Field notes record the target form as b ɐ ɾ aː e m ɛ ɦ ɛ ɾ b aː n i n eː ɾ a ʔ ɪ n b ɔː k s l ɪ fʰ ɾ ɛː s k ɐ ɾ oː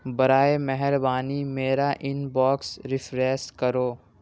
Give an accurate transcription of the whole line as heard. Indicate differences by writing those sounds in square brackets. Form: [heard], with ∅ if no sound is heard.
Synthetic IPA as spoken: b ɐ ɾ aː e m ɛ ɦ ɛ ɾ b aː n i [m] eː ɾ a ʔ ɪ n b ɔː k s [ɾ] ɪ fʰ ɾ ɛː s k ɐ ɾ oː